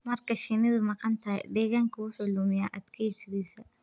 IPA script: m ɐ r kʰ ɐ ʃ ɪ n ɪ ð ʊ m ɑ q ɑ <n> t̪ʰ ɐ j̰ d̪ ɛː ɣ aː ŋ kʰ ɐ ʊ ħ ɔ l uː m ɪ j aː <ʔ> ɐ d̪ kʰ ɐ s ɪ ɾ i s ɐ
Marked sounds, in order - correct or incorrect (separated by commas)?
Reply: correct, correct